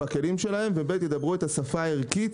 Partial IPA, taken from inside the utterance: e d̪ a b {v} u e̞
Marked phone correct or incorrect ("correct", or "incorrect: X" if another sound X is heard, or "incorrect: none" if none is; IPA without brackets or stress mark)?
incorrect: ʁ